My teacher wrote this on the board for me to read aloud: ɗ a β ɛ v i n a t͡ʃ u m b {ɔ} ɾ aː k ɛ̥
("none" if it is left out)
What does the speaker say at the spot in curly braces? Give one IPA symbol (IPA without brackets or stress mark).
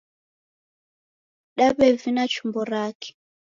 ɔ